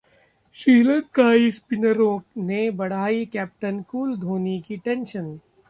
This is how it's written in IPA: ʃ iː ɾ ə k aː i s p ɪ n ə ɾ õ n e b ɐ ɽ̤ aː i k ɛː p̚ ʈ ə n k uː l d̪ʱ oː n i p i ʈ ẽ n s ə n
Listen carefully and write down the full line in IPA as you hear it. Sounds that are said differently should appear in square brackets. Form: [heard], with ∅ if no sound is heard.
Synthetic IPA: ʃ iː [l] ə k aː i s p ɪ n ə ɾ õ n e b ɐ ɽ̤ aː i k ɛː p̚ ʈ ə n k uː l d̪ʱ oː n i [k] i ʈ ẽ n [ʃ] ə n